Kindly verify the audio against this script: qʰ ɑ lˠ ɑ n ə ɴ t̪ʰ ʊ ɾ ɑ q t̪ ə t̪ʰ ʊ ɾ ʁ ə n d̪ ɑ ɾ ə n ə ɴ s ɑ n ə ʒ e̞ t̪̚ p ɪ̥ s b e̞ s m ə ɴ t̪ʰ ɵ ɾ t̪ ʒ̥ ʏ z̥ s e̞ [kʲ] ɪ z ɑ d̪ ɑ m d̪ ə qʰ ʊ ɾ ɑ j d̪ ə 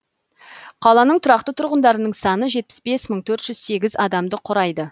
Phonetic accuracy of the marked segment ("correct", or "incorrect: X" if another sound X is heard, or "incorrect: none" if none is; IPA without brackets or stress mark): incorrect: ɡʲ